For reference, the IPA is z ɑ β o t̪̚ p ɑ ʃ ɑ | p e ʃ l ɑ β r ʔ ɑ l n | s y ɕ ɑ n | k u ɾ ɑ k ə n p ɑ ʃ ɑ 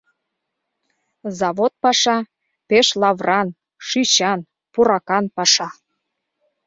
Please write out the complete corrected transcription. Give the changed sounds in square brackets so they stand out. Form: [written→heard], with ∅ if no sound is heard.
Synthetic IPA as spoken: z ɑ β o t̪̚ p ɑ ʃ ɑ | p e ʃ l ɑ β r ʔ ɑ [l→∅] n | [s→ʃ] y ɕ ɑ n | [k→p] u ɾ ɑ k [ə→ɑ] n p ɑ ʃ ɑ